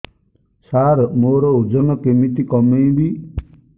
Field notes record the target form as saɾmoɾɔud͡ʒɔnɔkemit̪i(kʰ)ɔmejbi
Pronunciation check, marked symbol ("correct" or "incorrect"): incorrect